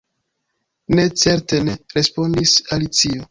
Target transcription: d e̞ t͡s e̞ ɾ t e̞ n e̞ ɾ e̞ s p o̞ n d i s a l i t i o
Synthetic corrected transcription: n e̞ t͡s e̞ ɾ t e̞ n e̞ ɾ e̞ s p o̞ n d i s a l i t͡s i o

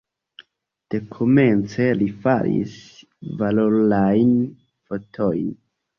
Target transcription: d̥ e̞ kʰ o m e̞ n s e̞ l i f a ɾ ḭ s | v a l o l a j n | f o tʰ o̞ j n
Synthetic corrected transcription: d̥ e̞ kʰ o m e̞ n t͡s e̞ l i f a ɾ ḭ s | v a l o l a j n | f o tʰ o̞ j n

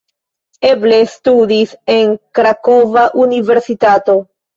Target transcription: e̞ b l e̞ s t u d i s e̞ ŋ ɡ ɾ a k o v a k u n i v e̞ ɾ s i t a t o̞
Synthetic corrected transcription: e̞ b l e̞ s t u d i s e̞ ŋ k ɾ a k o v a ʔ u n i v e̞ ɾ s i t a t o̞

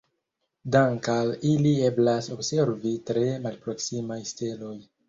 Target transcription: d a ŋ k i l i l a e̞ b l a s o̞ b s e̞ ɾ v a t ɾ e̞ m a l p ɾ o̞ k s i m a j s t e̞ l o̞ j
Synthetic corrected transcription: d a ŋ k a l i l i e̞ b l a s o̞ b s e̞ ɾ v i t ɾ e̞ m a l p ɾ o̞ k s i m a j s t e̞ l o̞ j

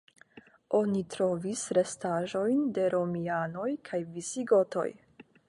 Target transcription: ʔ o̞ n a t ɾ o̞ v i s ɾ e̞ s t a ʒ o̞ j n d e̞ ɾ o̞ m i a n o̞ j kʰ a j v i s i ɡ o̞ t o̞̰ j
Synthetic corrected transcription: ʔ o̞ n i t ɾ o̞ v i s ɾ e̞ s t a ʒ o̞ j n d e̞ ɾ o̞ m i a n o̞ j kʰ a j v i s i ɡ o̞ t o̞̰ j

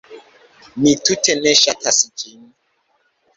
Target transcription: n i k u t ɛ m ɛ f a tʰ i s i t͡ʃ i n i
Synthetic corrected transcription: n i t u t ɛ n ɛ ʃ a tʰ a s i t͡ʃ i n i

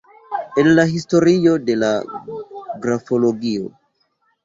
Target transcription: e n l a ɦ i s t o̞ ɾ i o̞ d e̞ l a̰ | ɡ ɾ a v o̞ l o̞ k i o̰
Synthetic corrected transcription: e n l a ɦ i s t o̞ ɾ i o̞ d e̞ l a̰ | ɡ ɾ a f o̞ l o̞ ɡ i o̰

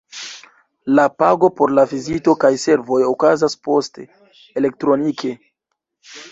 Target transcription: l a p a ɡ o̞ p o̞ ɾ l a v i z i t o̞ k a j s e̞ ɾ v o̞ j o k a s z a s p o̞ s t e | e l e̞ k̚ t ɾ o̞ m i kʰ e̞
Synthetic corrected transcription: l a p a ɡ o̞ p o̞ ɾ l a v i z i t o̞ k a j s e̞ ɾ v o̞ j o k a z a s p o̞ s t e | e l e̞ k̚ t ɾ o̞ n i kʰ e̞

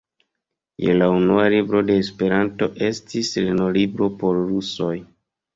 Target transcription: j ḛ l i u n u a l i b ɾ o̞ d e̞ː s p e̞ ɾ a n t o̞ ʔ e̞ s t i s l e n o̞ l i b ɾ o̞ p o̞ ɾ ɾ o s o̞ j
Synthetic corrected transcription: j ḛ l a u n u a l i b ɾ o̞ d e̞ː s p e̞ ɾ a n t o̞ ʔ e̞ s t i s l e n o̞ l i b ɾ o̞ p o̞ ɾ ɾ u s o̞ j

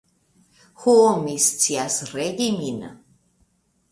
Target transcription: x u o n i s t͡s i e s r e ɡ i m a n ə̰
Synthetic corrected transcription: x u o m i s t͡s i a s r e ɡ i m i n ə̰

